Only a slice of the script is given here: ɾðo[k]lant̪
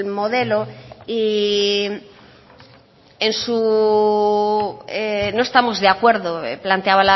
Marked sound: incorrect: p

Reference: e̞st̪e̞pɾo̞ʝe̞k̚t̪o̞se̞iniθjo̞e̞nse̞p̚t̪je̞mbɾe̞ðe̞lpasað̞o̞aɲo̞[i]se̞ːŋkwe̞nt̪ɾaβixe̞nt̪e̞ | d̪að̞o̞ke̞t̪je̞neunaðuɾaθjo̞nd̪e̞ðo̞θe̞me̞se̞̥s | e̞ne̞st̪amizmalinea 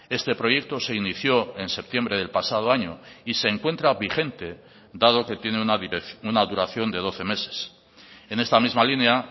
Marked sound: correct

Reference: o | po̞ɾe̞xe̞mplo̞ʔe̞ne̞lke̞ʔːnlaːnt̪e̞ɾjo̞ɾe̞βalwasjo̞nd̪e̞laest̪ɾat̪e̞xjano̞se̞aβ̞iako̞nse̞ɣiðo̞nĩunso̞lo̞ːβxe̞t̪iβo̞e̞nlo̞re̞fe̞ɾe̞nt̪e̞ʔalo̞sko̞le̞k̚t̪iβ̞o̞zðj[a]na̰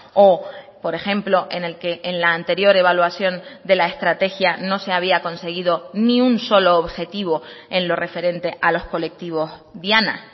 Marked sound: correct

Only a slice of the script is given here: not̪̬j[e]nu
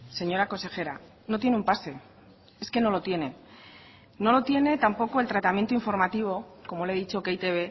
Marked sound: correct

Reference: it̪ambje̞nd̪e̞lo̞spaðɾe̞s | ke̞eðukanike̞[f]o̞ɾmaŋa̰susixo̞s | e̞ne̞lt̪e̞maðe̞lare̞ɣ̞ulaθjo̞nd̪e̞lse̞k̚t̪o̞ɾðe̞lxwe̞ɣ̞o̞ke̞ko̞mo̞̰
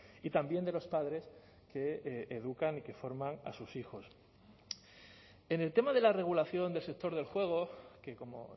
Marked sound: correct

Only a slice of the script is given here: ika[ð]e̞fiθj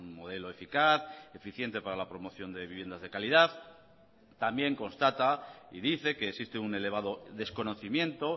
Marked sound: incorrect: θ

